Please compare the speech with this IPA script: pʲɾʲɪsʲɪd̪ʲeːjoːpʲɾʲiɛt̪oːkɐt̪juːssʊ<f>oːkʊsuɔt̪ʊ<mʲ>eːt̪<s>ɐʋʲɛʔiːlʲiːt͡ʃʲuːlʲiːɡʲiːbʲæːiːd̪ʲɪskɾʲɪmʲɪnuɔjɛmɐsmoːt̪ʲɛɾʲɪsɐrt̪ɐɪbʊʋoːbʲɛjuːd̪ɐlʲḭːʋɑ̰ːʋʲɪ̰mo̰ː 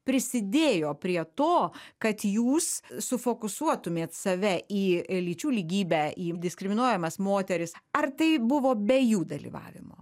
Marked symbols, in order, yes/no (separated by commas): yes, yes, yes